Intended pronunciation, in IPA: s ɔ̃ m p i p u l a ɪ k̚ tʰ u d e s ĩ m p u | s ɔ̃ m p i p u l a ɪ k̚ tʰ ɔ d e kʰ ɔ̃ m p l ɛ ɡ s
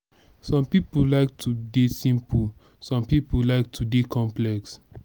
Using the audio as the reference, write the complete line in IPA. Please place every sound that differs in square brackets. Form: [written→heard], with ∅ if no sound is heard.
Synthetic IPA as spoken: s ɔ̃ m p i p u l a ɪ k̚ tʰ u d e s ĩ m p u | s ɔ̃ m p i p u l a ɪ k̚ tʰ [ɔ→u] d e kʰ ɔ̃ m p l ɛ [ɡ→k] s